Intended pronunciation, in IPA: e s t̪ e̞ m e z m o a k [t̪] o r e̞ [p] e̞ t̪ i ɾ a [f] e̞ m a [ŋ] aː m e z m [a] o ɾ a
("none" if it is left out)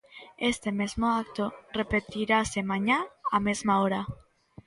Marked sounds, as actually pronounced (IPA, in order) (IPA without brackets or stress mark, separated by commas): t̪, p, s, ɲ, a